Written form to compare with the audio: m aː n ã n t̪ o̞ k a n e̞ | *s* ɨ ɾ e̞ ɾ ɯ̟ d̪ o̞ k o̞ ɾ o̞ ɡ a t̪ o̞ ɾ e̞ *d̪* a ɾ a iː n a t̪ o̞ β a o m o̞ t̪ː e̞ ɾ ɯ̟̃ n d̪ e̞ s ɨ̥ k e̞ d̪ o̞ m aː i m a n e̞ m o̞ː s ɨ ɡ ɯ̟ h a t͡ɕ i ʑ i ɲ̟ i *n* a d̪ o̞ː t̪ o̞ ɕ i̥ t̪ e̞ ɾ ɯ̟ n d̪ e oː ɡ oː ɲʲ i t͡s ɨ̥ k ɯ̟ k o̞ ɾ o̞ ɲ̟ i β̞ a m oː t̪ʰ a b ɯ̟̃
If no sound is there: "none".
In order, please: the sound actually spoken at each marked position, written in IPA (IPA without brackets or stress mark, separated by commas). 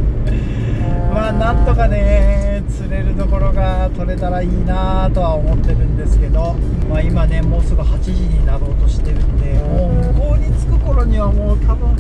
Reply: t͡s, t̪, n